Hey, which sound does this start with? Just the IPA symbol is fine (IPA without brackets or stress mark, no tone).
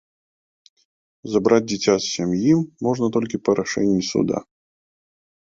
z